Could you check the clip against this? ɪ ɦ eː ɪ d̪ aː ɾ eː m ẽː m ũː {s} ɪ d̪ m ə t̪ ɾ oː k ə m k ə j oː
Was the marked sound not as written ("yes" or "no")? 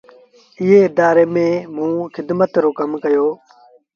yes